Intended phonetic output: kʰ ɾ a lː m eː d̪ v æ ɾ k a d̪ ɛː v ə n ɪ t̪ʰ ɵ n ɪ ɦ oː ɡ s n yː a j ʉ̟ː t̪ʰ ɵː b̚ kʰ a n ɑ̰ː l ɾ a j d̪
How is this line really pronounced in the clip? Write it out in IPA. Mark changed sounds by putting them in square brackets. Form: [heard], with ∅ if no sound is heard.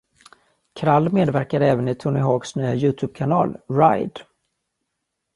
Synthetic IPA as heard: kʰ ɾ a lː m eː d̪ v æ ɾ k a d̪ ɛː v ə n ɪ t̪ʰ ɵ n ɪ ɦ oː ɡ s n yː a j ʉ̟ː t̪ʰ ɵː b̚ kʰ a n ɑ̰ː l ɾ a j d̪